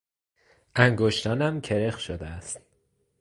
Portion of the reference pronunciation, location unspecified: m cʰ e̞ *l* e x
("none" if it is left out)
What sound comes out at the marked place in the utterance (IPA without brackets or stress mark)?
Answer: ɾ